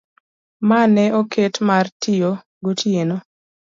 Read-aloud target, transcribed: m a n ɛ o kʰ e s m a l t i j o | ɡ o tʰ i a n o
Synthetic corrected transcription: m a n ɛ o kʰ e t m a r t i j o | ɡ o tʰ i e n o